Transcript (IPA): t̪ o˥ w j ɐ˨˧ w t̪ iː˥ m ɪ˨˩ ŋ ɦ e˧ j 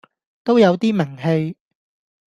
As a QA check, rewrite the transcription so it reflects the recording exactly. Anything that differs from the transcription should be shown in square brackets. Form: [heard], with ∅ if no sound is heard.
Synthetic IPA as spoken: t̪ o˥ w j ɐ˨˧ w t̪ iː˥ m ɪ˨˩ ŋ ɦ e˧ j